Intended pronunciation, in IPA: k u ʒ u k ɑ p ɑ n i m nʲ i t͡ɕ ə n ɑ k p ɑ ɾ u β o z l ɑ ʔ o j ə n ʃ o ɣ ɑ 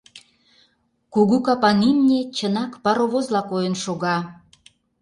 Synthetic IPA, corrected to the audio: k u ɣ u k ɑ p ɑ n i m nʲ e t͡ɕ ə n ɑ k p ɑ ɾ o β o z l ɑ k o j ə n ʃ o ɣ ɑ